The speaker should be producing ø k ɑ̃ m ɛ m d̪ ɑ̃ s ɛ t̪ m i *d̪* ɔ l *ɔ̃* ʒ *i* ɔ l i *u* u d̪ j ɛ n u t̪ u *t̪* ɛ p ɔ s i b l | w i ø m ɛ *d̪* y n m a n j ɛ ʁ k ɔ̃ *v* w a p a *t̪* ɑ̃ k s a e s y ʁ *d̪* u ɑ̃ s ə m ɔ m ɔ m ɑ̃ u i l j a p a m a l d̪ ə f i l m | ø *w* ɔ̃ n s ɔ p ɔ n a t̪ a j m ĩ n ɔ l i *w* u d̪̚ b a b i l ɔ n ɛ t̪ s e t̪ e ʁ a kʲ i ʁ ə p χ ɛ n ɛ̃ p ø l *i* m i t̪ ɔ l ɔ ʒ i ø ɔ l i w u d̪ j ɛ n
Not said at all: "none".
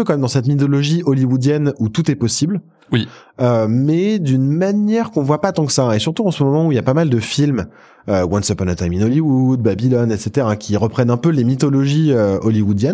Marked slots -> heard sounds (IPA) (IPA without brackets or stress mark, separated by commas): t̪, ɔ, i, w, t̪, d̪, v, t̪, t̪, w, w, e